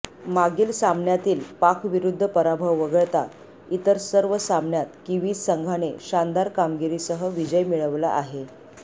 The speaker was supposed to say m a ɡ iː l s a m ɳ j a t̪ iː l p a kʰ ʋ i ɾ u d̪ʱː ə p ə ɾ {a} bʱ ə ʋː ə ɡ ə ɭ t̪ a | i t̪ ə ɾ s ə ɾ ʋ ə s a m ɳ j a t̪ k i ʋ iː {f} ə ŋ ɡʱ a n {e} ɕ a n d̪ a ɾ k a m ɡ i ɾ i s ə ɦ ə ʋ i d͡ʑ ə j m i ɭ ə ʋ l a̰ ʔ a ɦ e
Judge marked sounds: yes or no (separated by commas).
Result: yes, no, yes